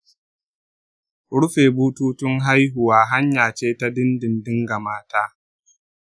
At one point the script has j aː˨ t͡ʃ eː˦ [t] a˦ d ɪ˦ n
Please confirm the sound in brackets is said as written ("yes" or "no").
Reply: yes